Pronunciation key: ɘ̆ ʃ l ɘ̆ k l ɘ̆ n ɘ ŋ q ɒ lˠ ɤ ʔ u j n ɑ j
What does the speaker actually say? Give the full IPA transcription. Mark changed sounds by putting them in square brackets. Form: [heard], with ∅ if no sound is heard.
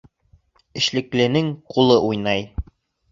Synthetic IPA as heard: ɘ̆ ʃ l ɘ̆ k l ɘ̆ n ɘ ŋ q [u] lˠ ɤ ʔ u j n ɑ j